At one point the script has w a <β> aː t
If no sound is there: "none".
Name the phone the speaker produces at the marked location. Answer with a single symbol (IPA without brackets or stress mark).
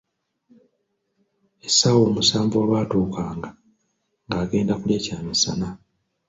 β